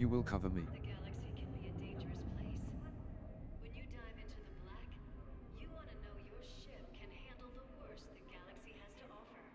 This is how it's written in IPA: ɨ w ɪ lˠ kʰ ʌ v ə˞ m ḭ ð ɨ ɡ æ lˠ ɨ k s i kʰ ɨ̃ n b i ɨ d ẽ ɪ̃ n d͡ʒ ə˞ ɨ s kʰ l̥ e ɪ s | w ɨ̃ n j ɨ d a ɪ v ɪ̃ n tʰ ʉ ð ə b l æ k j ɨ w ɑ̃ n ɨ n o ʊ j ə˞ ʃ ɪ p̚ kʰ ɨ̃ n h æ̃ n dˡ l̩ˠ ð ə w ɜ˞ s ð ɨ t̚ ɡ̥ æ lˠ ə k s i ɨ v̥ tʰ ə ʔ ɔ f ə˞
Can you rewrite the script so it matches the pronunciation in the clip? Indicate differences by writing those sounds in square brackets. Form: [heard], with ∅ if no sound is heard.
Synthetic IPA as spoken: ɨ w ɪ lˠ kʰ ʌ v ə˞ m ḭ ð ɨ ɡ æ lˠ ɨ k s i kʰ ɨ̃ n b i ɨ d ẽ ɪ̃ n d͡ʒ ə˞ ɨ s [pʰ] l̥ e ɪ s | w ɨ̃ n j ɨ d a ɪ v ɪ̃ n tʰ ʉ ð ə b l æ k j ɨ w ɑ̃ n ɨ n o ʊ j ə˞ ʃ ɪ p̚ kʰ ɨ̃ n h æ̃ n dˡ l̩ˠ ð ə w ɜ˞ s ð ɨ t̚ ɡ̥ æ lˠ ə k s i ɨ [z̥] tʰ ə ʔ ɔ f ə˞